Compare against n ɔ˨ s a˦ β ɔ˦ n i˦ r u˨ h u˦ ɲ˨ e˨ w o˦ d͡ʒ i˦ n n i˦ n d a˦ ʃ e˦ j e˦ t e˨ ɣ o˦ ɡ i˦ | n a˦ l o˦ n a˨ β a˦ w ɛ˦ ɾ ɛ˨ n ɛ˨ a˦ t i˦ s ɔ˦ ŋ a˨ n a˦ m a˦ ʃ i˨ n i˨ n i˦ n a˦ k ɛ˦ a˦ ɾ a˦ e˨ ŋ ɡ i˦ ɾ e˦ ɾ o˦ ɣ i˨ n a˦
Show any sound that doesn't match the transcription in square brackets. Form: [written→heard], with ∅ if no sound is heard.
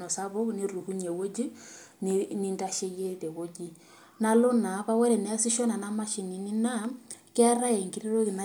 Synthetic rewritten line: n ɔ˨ s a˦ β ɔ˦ n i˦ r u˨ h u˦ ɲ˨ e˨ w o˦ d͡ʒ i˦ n n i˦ n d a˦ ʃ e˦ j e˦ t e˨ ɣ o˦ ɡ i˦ | n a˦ l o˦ n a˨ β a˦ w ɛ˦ ɾ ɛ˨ n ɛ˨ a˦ [t→s] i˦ [s→ʃ] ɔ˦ [ŋ→n] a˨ n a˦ m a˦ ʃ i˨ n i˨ n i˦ n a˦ k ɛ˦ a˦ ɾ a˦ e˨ ŋ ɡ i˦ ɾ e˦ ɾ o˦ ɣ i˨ n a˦